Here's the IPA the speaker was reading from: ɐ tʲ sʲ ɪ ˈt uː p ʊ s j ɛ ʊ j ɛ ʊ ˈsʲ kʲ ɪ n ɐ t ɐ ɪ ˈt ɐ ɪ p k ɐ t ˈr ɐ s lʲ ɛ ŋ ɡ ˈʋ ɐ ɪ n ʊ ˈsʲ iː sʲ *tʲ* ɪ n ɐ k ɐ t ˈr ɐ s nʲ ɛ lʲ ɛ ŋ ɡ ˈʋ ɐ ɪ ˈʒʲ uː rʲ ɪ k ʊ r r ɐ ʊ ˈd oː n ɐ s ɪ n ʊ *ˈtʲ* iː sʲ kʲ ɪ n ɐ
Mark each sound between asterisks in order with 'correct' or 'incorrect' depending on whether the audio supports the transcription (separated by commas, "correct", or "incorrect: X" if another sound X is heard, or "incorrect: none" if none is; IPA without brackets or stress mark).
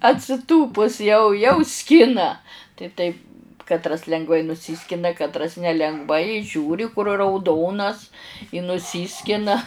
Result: incorrect: kʲ, incorrect: sʲ